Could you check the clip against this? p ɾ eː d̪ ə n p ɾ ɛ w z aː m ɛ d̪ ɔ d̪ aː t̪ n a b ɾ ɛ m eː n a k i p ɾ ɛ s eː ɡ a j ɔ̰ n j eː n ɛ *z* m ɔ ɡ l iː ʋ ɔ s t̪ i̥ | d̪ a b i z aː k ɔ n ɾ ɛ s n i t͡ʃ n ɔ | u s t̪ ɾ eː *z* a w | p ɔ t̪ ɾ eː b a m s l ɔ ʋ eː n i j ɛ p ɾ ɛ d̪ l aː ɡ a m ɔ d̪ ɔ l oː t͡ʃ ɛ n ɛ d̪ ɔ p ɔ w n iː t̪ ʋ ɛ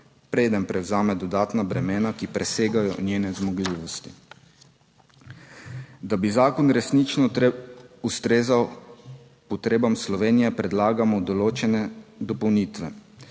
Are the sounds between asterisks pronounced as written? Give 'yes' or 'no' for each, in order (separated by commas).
yes, yes